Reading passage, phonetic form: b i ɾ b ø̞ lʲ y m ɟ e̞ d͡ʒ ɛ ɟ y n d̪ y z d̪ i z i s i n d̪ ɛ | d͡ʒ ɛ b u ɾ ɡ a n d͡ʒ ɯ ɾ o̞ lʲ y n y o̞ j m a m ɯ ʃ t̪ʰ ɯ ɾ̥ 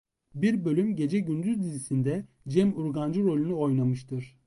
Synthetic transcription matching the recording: b i ɾ b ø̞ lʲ y m ɟ e̞ d͡ʒ ɛ ɟ y n d̪ y z d̪ i z i s i n d̪ ɛ | d͡ʒ ɛ m u ɾ ɡ a n d͡ʒ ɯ ɾ o̞ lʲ y n y o̞ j n a m ɯ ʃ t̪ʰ ɯ ɾ̥